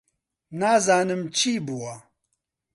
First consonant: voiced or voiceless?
voiced